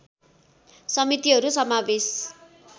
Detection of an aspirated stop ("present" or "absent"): absent